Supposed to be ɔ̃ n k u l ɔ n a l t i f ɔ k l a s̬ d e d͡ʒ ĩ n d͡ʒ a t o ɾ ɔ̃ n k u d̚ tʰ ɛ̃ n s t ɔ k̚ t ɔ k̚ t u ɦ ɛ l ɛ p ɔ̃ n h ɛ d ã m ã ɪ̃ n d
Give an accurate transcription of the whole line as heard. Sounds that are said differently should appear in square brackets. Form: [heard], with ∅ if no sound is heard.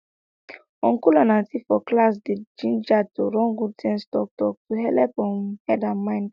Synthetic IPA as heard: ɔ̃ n k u l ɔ n a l t i f ɔ k l a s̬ d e d͡ʒ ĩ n d͡ʒ a t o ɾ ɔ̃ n [ɡ] u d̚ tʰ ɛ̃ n s t ɔ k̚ t ɔ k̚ t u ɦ ɛ l ɛ p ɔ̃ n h ɛ d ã m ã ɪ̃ n d